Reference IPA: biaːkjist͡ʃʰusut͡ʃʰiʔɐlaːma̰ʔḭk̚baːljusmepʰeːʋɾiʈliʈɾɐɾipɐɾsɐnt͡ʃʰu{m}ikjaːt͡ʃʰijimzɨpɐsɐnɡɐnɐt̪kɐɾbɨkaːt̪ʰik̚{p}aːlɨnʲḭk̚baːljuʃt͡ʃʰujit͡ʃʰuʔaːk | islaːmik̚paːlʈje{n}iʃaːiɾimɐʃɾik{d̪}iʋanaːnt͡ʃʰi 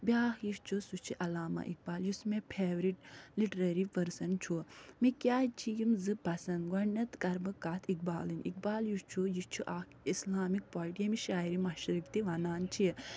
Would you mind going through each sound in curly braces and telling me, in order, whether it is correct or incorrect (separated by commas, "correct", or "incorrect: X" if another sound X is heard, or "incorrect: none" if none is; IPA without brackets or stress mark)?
correct, incorrect: b, incorrect: m, incorrect: t̪